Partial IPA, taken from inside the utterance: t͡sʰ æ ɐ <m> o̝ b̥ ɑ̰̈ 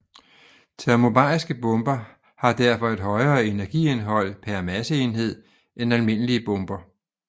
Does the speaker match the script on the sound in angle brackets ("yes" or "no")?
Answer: yes